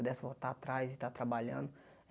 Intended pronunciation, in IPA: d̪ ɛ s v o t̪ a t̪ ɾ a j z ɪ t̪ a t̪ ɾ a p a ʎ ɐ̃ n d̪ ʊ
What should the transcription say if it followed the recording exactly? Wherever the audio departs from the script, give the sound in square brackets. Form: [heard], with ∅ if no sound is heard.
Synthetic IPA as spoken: d̪ ɛ s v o t̪ a t̪ ɾ a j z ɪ t̪ a t̪ ɾ a [b] a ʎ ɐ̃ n d̪ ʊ